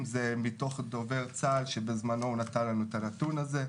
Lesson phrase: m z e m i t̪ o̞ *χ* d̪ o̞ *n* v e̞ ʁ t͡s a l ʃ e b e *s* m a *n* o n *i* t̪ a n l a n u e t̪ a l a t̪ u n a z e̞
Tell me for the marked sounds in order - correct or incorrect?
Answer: correct, incorrect: none, incorrect: z, correct, incorrect: a

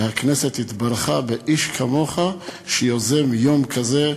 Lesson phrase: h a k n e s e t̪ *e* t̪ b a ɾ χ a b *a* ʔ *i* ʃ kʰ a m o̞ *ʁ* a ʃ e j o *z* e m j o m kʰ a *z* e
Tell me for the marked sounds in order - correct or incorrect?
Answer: incorrect: i, incorrect: e, correct, incorrect: χ, correct, correct

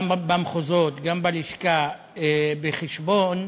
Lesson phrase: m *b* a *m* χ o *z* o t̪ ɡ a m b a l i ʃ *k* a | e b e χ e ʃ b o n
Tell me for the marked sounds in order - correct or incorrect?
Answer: correct, correct, correct, correct

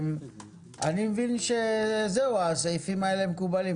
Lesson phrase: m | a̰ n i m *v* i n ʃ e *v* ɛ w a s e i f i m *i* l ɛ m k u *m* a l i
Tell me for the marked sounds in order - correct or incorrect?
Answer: correct, incorrect: z, incorrect: a, incorrect: b

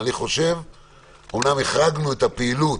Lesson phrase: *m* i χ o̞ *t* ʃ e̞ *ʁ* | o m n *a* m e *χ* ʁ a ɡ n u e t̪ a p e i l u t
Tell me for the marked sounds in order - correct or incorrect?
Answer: incorrect: n, incorrect: none, incorrect: v, correct, correct

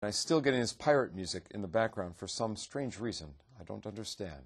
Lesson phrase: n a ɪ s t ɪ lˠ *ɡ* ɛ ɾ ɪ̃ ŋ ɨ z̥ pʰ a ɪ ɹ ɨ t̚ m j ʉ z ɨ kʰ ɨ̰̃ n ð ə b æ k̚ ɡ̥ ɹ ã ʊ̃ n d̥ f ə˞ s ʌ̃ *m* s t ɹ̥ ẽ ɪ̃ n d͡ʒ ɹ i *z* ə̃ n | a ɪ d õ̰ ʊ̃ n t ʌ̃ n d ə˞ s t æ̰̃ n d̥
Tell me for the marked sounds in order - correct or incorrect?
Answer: correct, correct, correct

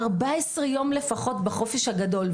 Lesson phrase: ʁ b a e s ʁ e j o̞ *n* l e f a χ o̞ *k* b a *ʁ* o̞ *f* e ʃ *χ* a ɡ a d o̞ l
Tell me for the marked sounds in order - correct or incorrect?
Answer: incorrect: m, incorrect: t, incorrect: χ, correct, incorrect: h

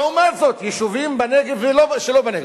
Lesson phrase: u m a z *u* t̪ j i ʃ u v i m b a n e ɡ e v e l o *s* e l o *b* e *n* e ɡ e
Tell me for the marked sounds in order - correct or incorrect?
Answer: incorrect: o, incorrect: ʃ, correct, correct

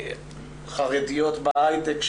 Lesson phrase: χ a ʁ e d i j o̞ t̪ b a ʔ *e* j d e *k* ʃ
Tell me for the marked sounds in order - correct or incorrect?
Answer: incorrect: a, correct

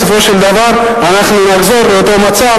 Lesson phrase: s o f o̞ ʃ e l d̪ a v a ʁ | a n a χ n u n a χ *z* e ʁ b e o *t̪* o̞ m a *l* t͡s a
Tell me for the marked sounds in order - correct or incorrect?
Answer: correct, correct, incorrect: none

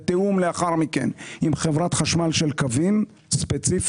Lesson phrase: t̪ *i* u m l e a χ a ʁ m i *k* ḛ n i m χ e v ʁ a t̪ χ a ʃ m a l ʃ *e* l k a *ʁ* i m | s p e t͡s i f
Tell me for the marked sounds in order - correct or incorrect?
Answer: incorrect: e, correct, correct, incorrect: v

